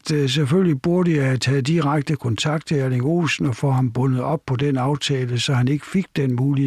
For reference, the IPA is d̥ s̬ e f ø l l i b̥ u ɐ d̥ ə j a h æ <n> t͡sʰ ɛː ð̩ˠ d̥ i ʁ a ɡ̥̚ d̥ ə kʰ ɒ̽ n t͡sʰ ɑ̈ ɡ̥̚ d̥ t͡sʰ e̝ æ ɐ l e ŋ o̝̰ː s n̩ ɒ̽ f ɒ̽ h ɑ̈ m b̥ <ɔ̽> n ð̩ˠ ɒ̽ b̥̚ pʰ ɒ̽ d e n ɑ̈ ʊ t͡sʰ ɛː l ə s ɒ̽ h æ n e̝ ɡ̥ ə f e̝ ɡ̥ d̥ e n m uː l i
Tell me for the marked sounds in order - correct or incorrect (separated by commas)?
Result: incorrect, correct